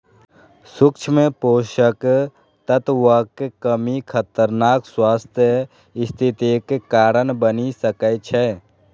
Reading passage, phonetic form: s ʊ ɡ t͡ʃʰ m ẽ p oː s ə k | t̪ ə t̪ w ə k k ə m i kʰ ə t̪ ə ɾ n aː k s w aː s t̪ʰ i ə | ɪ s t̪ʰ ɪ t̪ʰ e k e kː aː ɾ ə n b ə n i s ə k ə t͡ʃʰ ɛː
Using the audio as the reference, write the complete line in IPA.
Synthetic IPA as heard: s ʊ k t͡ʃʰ m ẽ p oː ʃ ə k | t̪ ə t̪ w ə k k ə m i kʰ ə t̪ ə ɾ n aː k s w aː s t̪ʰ j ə | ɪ s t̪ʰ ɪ t̪ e k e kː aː ɾ ə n b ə n i s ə k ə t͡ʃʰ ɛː